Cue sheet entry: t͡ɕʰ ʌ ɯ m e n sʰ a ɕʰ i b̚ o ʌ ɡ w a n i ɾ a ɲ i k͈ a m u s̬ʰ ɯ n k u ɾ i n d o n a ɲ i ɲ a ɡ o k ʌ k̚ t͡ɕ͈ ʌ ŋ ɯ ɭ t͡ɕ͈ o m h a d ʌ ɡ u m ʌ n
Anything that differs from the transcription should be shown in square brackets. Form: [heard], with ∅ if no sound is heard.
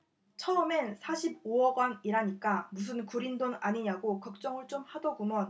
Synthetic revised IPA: t͡ɕʰ ʌ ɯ m e n sʰ a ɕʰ i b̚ o ʌ ɡ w a n i ɾ a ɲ i k͈ a m u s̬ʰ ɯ n k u ɾ i n d o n a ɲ i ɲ a ɡ o k ʌ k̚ t͡ɕ͈ ʌ ŋ ɯ ɭ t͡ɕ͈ o m h a d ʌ ɡ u m ʌ n